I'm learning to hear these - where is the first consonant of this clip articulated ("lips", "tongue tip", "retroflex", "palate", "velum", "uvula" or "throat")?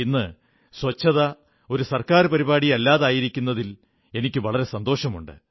tongue tip